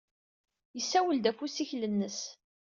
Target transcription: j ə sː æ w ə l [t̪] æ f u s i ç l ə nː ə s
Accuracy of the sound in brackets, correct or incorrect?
incorrect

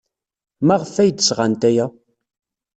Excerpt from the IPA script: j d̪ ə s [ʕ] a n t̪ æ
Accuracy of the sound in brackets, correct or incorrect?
incorrect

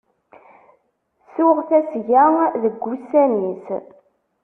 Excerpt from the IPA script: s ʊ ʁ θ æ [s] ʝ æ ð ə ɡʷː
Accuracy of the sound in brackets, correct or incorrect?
correct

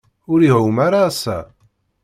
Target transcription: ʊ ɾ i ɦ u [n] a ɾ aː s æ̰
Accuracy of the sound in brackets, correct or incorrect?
incorrect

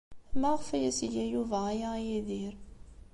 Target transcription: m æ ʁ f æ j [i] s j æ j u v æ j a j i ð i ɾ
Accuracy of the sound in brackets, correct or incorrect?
incorrect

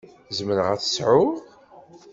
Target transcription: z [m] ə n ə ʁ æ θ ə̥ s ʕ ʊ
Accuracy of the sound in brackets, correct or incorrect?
correct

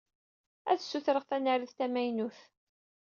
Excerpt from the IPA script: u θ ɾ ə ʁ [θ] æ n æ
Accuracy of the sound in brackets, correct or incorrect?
correct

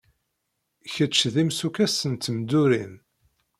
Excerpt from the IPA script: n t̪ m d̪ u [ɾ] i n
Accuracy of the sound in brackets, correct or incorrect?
correct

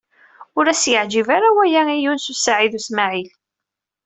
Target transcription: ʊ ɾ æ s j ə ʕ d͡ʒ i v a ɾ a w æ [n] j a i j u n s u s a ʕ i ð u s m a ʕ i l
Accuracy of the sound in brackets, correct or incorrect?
incorrect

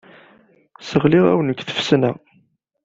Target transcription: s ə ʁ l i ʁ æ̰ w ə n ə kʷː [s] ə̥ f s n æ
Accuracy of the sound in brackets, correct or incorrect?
incorrect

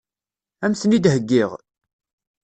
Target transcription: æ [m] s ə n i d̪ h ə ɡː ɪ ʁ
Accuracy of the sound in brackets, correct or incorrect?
correct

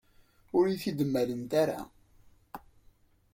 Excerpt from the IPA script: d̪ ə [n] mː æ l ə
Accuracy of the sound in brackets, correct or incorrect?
incorrect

